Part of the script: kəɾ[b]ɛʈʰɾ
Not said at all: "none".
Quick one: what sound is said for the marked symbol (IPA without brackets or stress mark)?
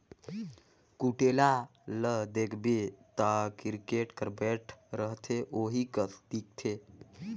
b